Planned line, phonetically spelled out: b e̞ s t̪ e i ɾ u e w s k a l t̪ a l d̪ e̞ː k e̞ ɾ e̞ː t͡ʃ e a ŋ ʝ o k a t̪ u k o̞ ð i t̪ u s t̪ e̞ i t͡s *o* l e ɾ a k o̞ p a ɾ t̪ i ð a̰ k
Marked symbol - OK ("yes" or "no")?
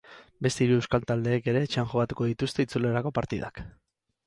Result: no